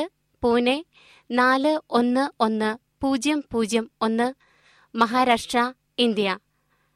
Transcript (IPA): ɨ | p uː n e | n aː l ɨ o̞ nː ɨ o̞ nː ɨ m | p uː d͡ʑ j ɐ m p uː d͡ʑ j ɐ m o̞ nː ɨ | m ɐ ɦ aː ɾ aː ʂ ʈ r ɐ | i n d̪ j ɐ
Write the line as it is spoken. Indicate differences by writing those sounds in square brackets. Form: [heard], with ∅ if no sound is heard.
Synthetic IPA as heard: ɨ | p uː n e | n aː l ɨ o̞ nː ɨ o̞ nː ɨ [∅] | p uː d͡ʑ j ɐ m p uː d͡ʑ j ɐ m o̞ nː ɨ | m ɐ ɦ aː ɾ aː ʂ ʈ r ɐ | i n d̪ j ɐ